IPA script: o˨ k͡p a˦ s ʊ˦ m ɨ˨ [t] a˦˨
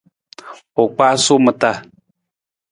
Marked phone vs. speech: correct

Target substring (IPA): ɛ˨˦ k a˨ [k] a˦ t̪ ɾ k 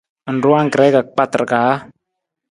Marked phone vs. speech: incorrect: k͡p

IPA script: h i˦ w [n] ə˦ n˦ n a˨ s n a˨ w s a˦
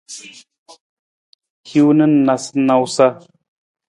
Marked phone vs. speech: correct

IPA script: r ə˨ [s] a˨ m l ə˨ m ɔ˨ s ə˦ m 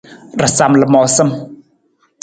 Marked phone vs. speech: correct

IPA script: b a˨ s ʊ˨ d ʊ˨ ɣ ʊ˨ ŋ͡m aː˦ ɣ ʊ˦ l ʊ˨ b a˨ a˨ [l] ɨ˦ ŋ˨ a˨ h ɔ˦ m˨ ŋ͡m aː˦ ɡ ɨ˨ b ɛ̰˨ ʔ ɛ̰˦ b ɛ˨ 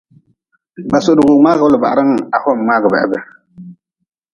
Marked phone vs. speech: incorrect: ɾ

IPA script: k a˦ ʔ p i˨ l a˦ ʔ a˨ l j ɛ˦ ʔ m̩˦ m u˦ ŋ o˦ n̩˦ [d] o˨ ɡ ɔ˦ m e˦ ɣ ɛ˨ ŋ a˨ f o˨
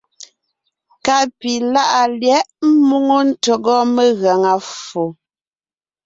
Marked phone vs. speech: incorrect: t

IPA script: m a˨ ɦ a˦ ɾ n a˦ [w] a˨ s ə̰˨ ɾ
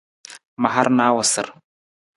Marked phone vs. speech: correct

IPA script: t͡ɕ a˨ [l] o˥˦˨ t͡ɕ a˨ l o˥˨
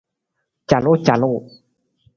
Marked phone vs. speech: correct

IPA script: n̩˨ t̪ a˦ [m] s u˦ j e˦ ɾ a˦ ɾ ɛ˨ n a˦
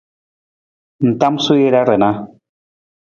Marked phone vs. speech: correct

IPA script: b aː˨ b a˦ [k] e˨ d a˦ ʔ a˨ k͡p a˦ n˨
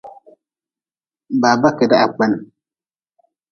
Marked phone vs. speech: correct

